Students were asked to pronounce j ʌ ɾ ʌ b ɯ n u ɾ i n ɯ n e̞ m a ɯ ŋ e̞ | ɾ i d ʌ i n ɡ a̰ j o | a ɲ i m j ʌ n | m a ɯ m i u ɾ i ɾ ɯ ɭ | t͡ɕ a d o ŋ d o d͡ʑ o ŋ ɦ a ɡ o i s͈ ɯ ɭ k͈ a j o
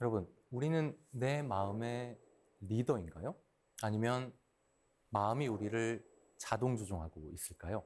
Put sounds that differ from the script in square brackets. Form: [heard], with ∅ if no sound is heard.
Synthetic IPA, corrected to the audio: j ʌ ɾ ʌ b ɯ n u ɾ i n ɯ [nː] e̞ m a ɯ [m] e̞ | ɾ i d ʌ i n ɡ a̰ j o | a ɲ i m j ʌ n | m a ɯ m i u ɾ i ɾ ɯ ɭ | t͡ɕ a d o ŋ [d͡ʑ] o d͡ʑ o ŋ ɦ a ɡ o i s͈ ɯ ɭ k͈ a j o